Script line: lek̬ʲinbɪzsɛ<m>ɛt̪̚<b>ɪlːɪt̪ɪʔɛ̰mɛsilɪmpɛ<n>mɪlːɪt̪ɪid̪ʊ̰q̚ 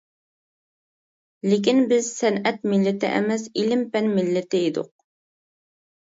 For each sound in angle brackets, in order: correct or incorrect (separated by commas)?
incorrect, incorrect, correct